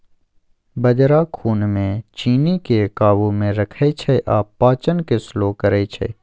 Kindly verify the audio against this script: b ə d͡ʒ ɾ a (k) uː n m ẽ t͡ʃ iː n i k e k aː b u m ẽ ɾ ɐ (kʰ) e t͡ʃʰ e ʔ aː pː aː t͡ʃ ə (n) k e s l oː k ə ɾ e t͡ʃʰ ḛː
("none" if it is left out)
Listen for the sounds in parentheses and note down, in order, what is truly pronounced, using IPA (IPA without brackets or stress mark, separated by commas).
kʰ, kʰ, n